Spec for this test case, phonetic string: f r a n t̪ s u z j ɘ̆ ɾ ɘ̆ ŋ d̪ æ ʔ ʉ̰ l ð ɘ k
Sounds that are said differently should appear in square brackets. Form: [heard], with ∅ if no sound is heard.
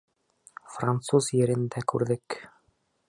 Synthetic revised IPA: f r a n t̪ s u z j ɘ̆ ɾ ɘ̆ [n] d̪ æ [k] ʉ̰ [ɾ] ð ɘ k